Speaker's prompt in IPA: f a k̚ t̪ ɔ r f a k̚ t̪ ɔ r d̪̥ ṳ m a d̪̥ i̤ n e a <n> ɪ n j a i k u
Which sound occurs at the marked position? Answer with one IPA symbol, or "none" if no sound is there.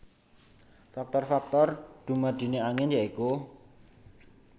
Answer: ŋ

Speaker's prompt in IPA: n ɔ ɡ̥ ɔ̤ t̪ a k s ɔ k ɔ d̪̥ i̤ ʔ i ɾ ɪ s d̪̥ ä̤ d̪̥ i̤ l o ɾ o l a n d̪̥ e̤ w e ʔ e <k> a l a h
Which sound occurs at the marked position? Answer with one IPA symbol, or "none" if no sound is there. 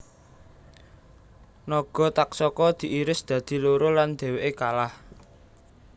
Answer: k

